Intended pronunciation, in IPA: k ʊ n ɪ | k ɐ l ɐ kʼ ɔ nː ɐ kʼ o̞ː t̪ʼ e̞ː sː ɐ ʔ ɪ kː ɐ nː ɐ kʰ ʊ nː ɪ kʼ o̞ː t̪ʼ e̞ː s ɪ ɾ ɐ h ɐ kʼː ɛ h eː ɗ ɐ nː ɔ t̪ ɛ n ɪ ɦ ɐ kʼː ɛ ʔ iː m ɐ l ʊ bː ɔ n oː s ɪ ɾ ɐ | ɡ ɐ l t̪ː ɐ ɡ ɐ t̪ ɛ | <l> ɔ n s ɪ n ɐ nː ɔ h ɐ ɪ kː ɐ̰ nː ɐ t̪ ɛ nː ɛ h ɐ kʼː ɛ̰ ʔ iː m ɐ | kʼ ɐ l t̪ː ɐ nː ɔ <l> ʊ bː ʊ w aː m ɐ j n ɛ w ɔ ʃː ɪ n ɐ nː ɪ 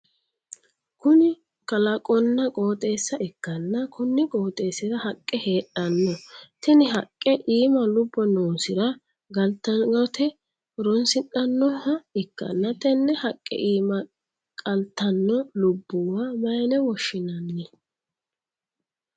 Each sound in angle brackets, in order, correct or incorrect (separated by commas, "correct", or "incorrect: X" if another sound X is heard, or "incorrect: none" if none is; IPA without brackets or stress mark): incorrect: ɾ, correct